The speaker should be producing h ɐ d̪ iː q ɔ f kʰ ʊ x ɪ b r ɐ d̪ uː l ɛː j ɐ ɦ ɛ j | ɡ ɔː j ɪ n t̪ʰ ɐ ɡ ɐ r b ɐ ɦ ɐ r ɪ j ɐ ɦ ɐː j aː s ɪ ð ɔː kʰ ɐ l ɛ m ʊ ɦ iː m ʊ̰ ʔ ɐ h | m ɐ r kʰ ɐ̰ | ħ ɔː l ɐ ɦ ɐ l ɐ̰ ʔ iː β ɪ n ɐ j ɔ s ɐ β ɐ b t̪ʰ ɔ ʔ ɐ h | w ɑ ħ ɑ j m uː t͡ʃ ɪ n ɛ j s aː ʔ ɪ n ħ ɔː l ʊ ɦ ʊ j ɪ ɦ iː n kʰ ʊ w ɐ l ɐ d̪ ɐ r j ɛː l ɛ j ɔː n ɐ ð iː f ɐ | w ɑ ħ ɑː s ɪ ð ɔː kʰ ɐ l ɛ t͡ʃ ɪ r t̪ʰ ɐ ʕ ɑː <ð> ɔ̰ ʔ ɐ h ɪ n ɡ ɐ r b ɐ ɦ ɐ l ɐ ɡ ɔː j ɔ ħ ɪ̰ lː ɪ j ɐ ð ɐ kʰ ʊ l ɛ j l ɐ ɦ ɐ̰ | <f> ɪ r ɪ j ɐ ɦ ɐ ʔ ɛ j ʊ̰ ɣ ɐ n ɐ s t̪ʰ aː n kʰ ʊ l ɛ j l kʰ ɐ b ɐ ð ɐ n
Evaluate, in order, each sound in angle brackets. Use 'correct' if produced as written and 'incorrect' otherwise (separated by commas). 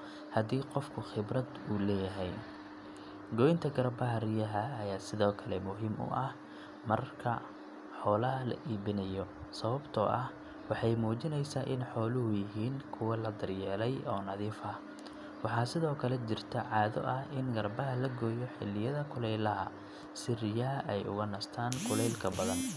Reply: correct, incorrect